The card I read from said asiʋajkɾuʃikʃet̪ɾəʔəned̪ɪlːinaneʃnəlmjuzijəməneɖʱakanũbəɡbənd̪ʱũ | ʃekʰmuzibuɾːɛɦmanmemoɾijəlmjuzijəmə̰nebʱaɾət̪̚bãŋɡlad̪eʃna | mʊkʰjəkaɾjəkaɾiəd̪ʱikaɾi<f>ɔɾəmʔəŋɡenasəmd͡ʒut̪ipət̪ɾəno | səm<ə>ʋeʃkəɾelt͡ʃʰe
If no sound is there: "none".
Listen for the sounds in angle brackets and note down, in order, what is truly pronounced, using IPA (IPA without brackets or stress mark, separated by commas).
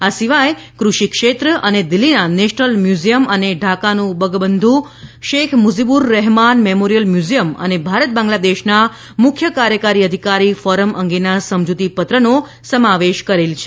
f, a